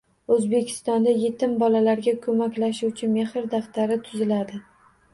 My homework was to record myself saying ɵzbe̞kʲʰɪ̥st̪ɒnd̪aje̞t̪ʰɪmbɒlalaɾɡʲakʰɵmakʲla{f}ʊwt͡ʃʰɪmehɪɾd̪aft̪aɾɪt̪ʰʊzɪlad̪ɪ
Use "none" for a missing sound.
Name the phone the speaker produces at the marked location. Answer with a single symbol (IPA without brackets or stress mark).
ʃ